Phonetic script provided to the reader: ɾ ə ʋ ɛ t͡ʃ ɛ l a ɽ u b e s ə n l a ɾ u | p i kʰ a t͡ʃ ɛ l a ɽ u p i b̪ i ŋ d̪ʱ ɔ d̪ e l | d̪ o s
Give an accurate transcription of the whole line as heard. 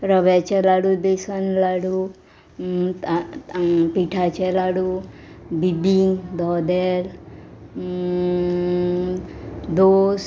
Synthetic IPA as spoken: ɾ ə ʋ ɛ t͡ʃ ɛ l a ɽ u b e s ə n l a ɽ u | p i ʈʰ a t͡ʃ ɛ l a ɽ u b i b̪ i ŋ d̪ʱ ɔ d̪ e l | d̪ o s

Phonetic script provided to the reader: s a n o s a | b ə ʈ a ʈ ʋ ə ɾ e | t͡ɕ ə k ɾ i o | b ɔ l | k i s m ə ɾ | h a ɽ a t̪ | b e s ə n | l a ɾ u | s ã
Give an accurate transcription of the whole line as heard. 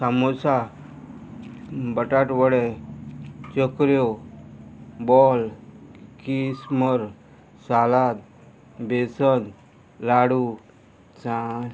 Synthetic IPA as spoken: s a m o s a | b ə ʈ a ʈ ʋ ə ɽ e | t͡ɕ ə k ɾ j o | b ɔ l | k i s m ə ɾ | s a l a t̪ | b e s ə n | l a ɽ u | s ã

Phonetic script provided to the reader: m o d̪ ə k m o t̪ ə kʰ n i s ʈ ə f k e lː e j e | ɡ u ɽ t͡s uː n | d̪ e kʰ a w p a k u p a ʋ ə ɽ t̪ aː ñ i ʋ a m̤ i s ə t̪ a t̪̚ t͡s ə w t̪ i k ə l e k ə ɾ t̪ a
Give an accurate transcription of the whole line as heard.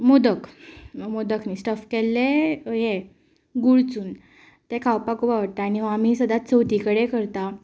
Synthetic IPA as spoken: m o d̪ ə k m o d̪ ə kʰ n i s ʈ ə f k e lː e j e | ɡ u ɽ t͡s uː n | t̪ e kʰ a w p a k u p a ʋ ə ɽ t̪ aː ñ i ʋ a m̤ i s ə d̪ a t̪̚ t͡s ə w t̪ i k ə ɽ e k ə ɾ t̪ a

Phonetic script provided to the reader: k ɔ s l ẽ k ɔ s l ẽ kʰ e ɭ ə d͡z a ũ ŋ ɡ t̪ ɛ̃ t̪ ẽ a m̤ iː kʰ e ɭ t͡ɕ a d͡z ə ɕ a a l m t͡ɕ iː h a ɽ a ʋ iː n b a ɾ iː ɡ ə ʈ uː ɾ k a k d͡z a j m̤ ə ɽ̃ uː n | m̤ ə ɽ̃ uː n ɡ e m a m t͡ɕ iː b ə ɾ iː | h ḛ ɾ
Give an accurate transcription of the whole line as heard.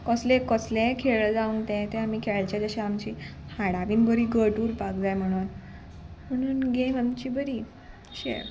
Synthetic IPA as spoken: k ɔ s l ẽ k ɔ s l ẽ kʰ e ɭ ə d͡z a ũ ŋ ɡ t̪ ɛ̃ t̪ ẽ a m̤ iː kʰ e ɭ t͡ɕ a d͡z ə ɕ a a m t͡ɕ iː h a ɽ a ʋ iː n b ə ɾ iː ɡ ə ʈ uː ɾ p a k d͡z a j m̤ ə ɽ̃ uː n | m̤ ə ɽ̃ uː n ɡ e m a m t͡ɕ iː b ə ɾ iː | ɕ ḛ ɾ

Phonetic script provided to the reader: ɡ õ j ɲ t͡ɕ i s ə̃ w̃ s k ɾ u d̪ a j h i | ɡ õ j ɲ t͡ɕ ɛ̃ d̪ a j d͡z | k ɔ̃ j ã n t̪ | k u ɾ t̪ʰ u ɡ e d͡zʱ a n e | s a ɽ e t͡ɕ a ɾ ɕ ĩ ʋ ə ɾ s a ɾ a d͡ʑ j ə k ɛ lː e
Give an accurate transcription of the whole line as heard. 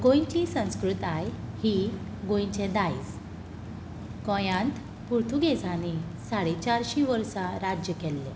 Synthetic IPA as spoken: ɡ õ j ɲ t͡ɕ i s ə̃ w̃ s k ɾ u t̪ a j h i | ɡ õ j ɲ t͡ɕ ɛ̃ d̪ a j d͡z | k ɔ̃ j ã n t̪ | p u ɾ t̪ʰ u ɡ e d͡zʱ a n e | s a ɽ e t͡ɕ a ɾ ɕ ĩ ʋ ə ɾ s a ɾ a d͡ʑ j ə k ɛ lː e

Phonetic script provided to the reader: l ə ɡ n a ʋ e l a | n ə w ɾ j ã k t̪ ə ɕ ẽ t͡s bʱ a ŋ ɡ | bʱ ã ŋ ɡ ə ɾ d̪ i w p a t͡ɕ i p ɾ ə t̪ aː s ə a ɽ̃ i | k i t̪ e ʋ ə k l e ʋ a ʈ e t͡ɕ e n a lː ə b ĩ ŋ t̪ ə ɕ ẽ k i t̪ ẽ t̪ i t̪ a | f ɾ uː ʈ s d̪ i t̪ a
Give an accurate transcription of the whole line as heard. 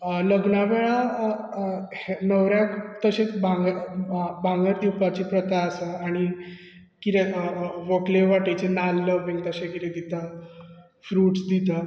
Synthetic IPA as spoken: l ə ɡ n a ʋ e ɭ a | n ə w ɾ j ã k t̪ ə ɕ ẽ t͡s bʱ a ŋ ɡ | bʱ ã ŋ ɡ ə ɾ d̪ i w p a t͡ɕ i p ɾ ə t̪ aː s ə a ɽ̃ i | k i t̪ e ʋ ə k l e ʋ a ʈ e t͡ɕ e n a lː ə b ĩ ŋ t̪ ə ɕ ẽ k i t̪ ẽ d̪ i t̪ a | f ɾ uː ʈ s d̪ i t̪ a

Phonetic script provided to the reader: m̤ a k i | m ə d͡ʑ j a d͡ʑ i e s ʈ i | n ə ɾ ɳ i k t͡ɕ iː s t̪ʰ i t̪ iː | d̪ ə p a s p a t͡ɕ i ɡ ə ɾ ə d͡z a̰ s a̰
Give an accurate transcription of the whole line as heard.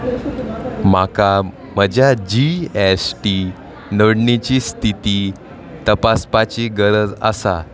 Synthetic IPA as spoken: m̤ a k a | m ə d͡ʑ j a d͡ʑ i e s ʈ i | n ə ɽ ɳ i t͡ɕ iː s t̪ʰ i t̪ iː | t̪ ə p a s p a t͡ɕ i ɡ ə ɾ ə d͡z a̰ s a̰

